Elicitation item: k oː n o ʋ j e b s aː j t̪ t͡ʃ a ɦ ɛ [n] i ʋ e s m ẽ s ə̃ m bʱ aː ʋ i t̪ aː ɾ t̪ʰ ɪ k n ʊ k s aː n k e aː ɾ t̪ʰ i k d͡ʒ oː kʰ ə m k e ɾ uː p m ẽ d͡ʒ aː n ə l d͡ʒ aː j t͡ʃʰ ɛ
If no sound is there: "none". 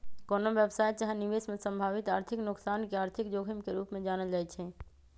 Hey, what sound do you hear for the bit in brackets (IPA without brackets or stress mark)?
n